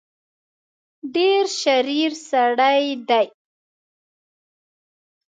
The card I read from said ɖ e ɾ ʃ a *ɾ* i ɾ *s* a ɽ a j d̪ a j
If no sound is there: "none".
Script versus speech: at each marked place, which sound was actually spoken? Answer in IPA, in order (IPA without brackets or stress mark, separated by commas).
ɾ, s